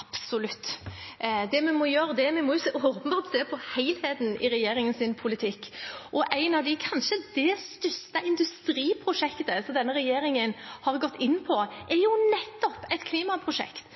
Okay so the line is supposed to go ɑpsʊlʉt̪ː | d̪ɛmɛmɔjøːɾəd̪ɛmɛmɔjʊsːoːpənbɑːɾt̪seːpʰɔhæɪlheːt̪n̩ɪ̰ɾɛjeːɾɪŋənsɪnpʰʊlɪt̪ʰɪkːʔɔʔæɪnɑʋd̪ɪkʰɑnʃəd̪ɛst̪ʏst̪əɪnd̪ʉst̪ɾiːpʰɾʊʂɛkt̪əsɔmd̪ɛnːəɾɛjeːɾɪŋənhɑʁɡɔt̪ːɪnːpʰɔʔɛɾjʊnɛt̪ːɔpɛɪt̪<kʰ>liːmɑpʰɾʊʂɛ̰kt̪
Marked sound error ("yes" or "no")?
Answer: no